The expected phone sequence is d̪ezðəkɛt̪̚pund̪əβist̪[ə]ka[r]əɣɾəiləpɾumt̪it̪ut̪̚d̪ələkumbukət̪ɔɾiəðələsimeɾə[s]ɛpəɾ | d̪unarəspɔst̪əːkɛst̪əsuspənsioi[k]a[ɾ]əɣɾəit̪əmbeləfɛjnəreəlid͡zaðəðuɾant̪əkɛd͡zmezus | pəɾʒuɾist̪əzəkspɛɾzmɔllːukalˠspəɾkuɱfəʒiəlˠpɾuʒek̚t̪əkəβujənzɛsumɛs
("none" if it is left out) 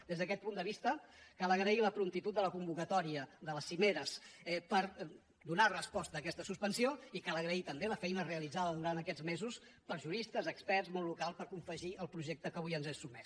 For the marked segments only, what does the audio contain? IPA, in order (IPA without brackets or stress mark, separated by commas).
ə, l, s, k, l